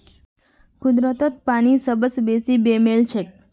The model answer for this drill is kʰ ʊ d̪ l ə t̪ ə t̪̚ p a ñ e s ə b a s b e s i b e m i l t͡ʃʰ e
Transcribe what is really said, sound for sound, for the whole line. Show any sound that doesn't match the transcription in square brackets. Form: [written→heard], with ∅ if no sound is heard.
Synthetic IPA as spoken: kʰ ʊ d̪ [l→ɾ] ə t̪ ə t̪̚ p a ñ [e→i] s ə b [a→ə] s b e s i b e m [i→e] l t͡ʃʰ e